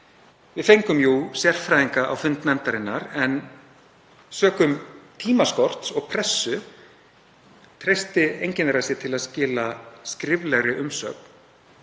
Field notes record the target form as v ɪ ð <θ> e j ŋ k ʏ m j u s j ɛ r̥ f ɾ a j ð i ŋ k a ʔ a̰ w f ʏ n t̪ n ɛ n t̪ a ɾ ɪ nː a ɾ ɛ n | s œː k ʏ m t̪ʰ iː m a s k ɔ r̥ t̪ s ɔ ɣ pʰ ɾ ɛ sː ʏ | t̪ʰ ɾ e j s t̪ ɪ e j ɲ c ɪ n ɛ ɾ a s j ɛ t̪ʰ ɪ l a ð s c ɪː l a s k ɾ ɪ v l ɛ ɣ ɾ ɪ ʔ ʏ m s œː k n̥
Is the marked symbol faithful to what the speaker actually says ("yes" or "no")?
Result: no